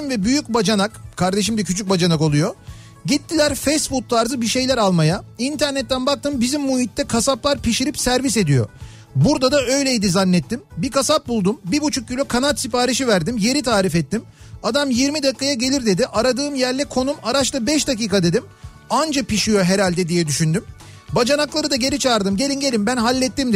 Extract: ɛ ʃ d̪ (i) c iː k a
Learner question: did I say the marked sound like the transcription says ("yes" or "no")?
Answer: no